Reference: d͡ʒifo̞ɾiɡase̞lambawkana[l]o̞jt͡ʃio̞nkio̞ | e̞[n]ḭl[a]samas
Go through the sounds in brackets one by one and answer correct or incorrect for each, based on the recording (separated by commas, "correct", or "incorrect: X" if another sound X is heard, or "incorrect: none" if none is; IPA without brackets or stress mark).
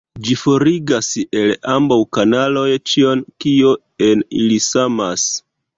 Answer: correct, correct, incorrect: i